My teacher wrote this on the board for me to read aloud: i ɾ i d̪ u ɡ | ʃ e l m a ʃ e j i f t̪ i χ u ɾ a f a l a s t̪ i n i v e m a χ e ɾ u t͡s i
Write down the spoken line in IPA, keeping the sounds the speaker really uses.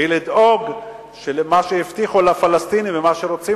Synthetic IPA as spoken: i l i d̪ o ɡ | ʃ e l m a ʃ e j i f t̪ i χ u l a f a l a s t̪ i n i v e m a ʃ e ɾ o t͡s i